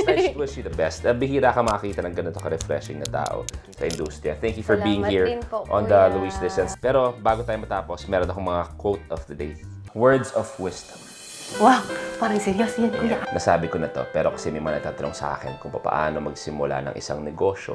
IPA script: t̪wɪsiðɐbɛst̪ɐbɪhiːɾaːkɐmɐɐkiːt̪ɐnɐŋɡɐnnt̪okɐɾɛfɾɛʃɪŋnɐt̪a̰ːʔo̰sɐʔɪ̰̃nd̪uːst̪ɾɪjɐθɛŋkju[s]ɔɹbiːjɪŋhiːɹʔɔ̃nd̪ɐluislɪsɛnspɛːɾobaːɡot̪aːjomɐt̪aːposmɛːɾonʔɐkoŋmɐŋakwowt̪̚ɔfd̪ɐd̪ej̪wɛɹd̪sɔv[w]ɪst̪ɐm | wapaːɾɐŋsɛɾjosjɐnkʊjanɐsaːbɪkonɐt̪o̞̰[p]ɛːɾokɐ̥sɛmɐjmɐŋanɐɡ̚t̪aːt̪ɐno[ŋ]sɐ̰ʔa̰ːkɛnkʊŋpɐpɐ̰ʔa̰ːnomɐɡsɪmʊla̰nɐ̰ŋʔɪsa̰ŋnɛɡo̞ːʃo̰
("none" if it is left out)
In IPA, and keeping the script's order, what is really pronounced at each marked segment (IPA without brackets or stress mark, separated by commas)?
f, w, p, ŋ